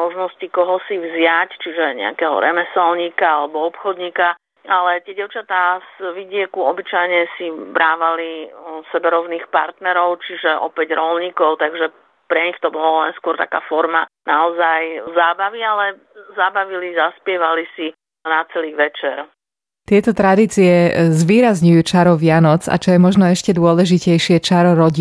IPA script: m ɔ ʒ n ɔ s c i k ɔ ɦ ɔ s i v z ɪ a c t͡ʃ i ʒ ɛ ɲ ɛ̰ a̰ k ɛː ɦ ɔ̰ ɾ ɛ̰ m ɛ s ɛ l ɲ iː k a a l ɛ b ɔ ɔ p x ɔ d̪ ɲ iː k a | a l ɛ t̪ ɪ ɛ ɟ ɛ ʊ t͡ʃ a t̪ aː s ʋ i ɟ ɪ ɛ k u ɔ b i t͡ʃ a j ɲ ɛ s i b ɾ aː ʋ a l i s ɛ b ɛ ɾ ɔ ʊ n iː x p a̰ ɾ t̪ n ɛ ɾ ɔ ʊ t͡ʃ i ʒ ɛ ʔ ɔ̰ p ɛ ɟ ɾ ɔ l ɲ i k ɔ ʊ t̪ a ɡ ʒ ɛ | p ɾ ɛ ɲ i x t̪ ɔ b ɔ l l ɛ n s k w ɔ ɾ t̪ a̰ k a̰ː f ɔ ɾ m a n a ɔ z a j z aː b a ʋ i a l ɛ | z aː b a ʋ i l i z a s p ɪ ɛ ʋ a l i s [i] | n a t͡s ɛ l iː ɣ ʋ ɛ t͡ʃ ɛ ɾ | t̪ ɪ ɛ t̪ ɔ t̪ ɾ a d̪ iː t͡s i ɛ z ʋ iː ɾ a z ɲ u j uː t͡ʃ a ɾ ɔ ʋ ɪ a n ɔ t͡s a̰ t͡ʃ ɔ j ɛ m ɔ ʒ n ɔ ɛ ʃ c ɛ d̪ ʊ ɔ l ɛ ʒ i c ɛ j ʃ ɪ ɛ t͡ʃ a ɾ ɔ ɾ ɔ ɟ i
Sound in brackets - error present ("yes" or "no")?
no